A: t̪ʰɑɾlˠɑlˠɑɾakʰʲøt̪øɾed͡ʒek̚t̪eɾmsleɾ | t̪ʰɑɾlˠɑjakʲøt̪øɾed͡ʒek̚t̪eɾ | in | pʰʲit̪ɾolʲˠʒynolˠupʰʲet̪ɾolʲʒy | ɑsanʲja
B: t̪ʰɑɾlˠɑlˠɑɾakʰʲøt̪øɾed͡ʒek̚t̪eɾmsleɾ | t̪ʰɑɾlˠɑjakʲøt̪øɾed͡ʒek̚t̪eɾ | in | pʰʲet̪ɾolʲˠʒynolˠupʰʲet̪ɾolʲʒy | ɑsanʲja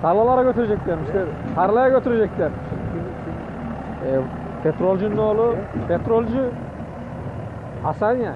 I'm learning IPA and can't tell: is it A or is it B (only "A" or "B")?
B